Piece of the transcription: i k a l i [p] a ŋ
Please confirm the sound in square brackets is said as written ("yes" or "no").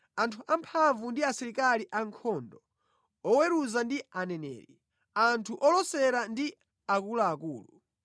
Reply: no